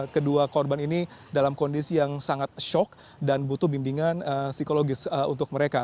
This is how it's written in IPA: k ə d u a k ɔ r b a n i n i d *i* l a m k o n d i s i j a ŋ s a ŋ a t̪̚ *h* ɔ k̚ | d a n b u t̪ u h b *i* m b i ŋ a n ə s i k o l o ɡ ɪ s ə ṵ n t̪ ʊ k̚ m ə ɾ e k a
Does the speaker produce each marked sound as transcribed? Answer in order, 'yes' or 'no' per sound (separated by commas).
no, no, yes